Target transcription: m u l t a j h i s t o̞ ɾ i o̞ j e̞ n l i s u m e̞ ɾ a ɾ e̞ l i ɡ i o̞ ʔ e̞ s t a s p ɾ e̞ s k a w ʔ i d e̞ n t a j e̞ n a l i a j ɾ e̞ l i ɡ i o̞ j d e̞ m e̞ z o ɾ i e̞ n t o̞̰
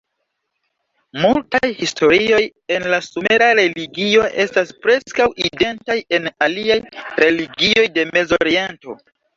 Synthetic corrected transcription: m u l t a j h i s t o̞ ɾ i o̞ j e̞ n l a s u m e̞ ɾ a ɾ e̞ l i ɡ i o̞ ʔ e̞ s t a s p ɾ e̞ s k a w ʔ i d e̞ n t a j e̞ n a l i a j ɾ e̞ l i ɡ i o̞ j d e̞ m e̞ z o ɾ i e̞ n t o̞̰